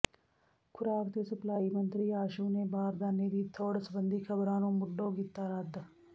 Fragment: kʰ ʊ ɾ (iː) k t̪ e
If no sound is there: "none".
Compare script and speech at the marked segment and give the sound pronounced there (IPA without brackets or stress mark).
aː